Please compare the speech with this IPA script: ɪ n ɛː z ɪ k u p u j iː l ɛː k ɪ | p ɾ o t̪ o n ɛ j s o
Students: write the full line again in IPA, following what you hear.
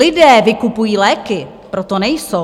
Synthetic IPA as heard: ɪ d ɛː v ɪ k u p u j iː l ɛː k ɪ | p ɾ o t̪ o n ɛ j s o